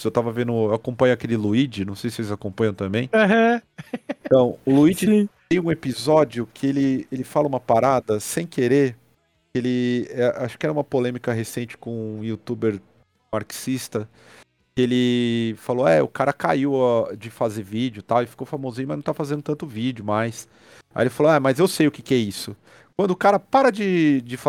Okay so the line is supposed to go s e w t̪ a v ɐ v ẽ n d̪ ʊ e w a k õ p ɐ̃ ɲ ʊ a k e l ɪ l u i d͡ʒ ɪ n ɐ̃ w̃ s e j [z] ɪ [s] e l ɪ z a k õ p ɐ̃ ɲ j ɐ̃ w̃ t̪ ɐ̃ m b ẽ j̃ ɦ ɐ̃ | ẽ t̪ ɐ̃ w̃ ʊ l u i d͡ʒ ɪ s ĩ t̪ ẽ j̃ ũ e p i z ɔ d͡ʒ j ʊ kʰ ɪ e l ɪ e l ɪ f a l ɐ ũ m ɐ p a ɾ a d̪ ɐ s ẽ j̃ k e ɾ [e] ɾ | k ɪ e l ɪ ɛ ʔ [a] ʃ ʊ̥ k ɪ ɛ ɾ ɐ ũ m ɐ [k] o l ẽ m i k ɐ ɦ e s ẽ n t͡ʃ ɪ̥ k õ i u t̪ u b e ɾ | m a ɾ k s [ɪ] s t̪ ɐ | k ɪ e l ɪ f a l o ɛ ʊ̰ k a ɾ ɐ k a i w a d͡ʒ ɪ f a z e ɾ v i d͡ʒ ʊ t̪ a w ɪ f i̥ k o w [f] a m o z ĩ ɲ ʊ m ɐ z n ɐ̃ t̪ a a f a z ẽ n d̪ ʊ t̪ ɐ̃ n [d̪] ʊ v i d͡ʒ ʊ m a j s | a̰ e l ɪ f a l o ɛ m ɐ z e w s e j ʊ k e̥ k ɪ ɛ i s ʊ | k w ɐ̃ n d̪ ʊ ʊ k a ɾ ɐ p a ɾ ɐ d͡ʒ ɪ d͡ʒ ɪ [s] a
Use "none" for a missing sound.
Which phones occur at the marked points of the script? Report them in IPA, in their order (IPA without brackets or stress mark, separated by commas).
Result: s, s, e, a, p, i, f, t̪, f